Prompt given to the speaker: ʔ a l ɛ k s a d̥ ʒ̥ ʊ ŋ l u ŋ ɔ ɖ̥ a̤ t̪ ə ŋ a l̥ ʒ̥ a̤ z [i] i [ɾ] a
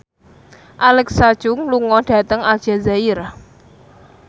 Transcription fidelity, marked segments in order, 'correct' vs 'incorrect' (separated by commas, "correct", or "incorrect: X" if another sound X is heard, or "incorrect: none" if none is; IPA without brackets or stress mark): incorrect: a, correct